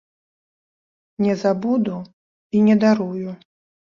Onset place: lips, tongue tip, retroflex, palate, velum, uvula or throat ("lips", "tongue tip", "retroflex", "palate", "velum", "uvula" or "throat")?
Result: tongue tip